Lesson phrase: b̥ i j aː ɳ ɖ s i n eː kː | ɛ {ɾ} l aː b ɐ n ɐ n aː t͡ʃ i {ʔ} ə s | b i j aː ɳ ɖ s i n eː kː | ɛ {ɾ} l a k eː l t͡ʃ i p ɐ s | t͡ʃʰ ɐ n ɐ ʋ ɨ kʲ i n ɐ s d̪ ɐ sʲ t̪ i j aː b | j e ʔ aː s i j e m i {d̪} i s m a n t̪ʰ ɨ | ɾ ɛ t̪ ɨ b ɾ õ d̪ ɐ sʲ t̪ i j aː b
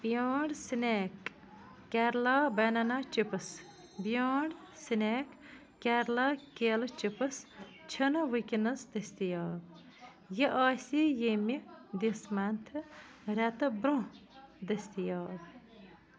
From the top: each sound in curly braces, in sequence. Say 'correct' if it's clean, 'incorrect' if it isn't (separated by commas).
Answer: correct, incorrect, correct, correct